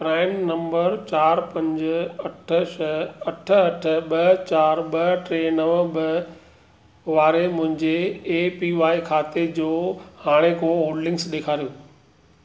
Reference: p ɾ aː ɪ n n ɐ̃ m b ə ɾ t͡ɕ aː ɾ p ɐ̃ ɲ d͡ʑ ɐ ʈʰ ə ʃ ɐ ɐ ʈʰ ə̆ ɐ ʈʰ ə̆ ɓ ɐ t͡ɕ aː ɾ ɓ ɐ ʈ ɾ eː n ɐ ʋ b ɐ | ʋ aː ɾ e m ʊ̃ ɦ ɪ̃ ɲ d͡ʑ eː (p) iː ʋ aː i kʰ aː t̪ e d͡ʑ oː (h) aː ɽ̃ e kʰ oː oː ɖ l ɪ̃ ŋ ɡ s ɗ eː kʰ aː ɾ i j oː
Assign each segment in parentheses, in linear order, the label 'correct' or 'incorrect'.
correct, correct

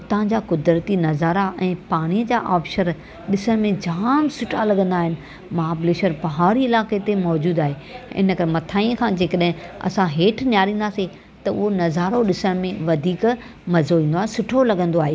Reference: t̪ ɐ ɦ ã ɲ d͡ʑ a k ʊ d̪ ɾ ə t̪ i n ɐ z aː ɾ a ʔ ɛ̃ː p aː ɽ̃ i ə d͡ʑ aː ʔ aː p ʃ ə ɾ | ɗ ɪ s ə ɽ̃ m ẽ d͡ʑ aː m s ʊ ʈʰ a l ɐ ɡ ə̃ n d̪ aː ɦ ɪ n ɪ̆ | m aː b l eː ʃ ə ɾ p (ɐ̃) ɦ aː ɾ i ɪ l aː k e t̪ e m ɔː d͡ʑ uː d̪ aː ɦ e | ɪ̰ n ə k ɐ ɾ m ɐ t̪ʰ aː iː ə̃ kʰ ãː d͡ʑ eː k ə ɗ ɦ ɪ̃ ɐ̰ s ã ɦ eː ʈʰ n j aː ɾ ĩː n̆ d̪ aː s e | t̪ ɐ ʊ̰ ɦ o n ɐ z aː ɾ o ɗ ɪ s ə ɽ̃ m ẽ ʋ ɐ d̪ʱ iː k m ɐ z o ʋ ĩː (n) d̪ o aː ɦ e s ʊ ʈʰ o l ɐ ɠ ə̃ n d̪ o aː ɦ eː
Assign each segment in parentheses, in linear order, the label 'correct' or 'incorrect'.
incorrect, correct

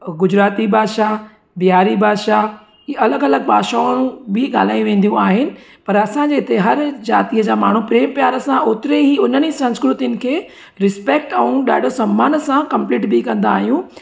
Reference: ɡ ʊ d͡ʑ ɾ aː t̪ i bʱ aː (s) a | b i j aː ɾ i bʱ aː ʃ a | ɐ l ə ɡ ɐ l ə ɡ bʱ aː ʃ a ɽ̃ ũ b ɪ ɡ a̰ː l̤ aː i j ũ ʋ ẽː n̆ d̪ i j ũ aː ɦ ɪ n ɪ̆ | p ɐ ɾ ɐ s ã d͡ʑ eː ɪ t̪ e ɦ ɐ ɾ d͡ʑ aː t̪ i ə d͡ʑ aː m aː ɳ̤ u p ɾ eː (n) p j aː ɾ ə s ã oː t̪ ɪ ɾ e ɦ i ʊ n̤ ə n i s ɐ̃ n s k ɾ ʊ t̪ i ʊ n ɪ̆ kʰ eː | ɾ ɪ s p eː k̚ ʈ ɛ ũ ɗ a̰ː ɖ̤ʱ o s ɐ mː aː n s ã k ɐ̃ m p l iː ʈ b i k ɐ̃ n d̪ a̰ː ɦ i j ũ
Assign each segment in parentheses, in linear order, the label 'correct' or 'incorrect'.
incorrect, incorrect

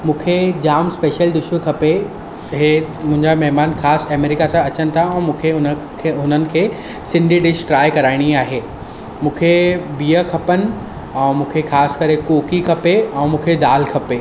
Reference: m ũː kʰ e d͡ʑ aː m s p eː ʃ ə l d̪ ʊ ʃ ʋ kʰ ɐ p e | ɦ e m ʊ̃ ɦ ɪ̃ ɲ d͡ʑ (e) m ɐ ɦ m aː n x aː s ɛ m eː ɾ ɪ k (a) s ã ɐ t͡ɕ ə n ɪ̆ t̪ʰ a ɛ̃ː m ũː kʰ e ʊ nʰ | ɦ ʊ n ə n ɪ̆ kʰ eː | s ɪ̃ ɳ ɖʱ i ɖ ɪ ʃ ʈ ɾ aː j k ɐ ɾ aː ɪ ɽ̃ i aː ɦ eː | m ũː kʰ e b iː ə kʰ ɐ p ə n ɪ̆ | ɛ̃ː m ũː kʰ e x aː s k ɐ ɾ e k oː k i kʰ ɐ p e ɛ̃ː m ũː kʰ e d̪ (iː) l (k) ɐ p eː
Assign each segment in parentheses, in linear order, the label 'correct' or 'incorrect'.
incorrect, correct, incorrect, incorrect

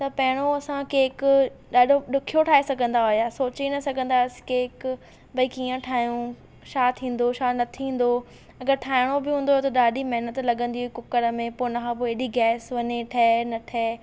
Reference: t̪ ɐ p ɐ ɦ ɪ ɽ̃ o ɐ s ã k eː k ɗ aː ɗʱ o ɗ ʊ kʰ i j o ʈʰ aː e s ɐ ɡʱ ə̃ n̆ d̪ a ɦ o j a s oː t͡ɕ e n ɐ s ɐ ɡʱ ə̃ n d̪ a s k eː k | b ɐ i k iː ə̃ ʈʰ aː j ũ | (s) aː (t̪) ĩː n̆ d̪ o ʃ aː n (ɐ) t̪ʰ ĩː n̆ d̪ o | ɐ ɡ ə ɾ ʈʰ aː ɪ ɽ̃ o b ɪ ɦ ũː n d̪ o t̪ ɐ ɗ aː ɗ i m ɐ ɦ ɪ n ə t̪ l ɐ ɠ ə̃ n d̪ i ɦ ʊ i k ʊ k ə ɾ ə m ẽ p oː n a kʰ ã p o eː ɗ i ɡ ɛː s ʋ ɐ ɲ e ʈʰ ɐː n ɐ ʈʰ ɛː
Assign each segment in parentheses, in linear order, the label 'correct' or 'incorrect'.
incorrect, incorrect, correct

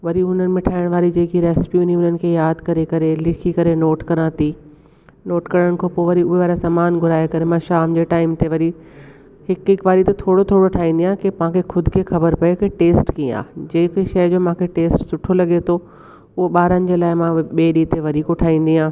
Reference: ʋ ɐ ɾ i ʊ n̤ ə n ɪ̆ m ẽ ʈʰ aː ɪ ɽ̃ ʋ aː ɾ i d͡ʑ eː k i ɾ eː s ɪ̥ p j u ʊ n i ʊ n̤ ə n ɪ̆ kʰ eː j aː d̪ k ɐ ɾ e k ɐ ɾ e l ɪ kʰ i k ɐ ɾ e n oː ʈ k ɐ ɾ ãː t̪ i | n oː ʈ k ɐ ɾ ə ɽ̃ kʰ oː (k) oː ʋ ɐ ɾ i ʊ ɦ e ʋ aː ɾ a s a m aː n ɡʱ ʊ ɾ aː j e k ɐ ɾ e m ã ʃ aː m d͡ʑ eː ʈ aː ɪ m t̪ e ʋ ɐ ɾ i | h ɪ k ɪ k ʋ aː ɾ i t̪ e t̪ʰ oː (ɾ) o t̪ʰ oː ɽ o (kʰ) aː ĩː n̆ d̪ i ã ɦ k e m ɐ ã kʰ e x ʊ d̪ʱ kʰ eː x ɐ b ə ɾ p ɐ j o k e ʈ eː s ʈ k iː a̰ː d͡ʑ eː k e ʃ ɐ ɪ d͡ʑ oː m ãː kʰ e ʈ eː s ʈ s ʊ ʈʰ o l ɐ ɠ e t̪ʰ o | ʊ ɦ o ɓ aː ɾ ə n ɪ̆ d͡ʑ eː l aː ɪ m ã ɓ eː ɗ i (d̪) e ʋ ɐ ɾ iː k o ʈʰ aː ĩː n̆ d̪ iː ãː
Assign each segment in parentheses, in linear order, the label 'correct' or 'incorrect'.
incorrect, incorrect, incorrect, incorrect

